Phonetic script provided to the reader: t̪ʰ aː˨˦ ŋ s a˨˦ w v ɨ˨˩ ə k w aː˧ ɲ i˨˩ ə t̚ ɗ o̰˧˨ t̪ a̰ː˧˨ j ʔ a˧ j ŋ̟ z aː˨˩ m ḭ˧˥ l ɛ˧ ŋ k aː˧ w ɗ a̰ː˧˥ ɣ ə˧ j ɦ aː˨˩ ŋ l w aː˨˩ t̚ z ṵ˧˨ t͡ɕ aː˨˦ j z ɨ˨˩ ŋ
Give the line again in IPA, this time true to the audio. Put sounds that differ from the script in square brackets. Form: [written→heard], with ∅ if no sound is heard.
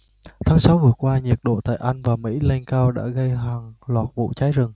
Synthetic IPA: t̪ʰ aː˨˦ ŋ s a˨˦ w v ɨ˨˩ ə k w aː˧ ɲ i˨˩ ə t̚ ɗ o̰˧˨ t̪ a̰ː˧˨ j ʔ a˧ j ŋ̟ [z→v] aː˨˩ m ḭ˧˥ l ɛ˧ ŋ k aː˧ w ɗ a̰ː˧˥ ɣ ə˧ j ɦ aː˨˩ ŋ l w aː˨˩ t̚ [z→v] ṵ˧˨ t͡ɕ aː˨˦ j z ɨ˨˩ ŋ